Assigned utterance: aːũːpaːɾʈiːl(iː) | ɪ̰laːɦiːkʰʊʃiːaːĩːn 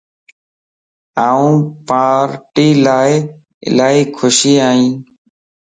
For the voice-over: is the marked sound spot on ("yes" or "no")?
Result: no